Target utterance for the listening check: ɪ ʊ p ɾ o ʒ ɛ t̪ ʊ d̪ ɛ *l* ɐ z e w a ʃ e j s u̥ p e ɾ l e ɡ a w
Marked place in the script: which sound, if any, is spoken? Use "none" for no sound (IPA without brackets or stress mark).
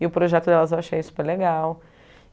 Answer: l